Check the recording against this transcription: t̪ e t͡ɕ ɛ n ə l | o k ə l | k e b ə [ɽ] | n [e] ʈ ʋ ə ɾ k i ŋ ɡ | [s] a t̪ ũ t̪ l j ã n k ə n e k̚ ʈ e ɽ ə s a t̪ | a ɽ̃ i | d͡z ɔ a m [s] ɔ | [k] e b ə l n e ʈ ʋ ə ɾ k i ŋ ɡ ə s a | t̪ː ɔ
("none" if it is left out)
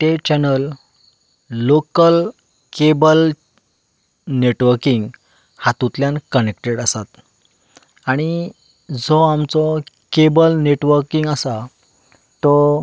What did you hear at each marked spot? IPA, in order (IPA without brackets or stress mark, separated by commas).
l, e, h, t͡s, k